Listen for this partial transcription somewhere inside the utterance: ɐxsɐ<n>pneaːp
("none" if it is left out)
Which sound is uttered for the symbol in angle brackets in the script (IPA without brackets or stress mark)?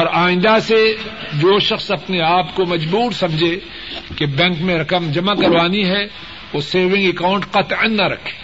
none